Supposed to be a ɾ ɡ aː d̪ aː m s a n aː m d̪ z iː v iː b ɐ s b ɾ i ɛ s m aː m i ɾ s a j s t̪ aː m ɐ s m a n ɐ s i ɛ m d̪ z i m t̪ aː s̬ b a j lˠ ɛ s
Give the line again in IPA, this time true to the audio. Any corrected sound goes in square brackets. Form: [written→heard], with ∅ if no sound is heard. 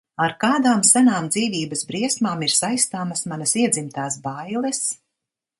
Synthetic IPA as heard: a ɾ [ɡ→k] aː d̪ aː m s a n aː m d̪ z iː v iː b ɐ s b ɾ i ɛ s m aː m i ɾ s a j s t̪ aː m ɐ s m a n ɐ s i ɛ [m→∅] d̪ z i m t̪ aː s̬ b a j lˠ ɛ s